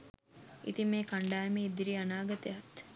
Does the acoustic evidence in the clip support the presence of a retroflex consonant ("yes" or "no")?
yes